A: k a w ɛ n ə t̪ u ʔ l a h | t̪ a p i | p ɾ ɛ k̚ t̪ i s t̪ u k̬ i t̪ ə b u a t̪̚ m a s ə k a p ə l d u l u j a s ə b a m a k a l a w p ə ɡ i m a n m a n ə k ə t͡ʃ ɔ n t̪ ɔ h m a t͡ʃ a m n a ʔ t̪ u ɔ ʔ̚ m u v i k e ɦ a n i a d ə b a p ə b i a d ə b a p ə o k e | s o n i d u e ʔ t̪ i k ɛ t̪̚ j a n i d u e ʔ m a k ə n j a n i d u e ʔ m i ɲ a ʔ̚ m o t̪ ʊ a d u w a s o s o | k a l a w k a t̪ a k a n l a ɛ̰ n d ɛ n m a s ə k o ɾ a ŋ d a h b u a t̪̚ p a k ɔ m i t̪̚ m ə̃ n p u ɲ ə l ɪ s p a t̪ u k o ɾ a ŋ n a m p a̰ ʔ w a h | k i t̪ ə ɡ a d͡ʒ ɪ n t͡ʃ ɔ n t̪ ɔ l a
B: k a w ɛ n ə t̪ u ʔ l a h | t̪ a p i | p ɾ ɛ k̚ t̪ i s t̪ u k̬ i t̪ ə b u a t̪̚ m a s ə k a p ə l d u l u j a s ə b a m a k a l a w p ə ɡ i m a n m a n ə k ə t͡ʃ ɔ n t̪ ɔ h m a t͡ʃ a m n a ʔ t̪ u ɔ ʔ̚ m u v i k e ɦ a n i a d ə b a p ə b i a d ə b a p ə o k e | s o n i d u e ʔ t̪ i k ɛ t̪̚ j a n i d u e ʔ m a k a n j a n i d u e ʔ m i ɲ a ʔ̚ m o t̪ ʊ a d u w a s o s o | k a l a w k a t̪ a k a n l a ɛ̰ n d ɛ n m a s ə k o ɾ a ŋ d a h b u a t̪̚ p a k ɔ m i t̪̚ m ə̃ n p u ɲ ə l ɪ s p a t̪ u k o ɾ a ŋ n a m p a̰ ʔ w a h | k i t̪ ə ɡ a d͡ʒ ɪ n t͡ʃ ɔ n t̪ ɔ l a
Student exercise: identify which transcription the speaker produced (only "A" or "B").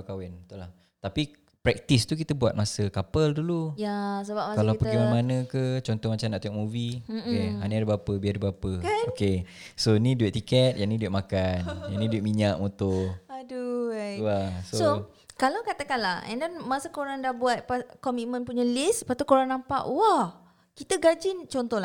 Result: B